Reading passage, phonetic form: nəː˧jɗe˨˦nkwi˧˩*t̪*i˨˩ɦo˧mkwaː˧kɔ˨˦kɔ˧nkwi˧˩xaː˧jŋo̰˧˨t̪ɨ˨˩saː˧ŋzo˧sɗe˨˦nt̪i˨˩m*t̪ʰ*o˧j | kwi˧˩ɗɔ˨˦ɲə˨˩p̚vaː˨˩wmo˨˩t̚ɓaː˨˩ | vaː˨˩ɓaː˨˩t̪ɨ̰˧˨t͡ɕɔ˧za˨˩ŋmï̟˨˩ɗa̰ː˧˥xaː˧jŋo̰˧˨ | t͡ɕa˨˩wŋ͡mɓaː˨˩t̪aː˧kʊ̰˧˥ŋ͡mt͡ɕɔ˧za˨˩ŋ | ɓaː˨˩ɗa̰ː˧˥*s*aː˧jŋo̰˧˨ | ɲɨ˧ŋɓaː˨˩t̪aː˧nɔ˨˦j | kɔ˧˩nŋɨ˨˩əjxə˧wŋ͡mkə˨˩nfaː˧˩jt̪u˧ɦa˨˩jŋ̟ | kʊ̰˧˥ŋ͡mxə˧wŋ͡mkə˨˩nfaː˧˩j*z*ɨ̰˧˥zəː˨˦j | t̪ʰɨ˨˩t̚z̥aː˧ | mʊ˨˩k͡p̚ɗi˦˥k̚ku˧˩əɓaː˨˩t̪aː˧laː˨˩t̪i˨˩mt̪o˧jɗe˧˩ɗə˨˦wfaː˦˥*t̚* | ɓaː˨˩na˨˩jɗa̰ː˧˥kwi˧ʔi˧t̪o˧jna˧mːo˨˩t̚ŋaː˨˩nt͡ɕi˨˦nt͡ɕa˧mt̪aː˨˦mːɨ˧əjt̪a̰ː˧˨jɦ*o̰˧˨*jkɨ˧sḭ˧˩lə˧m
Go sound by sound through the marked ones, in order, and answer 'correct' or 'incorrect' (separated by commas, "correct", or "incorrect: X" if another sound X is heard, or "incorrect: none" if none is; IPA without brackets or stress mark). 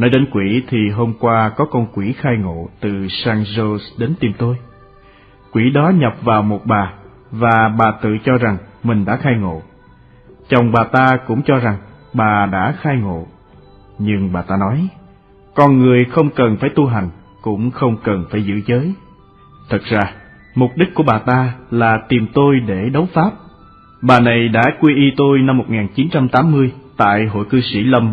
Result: incorrect: t̪ʰ, incorrect: t̪, incorrect: x, correct, incorrect: p̚, correct